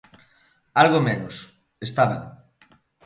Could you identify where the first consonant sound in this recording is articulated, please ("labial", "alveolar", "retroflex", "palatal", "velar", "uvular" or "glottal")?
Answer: alveolar